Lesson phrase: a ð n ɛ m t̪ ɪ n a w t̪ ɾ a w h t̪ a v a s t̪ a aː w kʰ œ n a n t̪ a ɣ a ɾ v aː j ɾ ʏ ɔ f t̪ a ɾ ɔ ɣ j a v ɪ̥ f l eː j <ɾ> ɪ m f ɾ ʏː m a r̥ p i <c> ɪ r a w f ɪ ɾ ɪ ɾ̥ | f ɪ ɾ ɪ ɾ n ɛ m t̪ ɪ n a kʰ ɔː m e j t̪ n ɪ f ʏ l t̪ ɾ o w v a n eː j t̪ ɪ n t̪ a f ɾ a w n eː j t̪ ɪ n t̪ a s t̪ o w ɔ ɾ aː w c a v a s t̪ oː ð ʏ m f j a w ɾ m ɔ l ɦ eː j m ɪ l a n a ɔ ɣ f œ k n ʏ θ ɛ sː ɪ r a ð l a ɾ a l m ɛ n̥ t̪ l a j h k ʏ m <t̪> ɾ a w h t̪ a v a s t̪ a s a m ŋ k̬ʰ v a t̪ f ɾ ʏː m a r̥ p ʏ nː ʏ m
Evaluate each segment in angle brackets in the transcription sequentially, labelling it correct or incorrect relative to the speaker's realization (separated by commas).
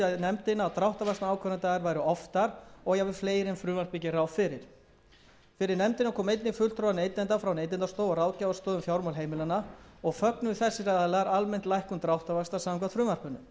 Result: correct, correct, correct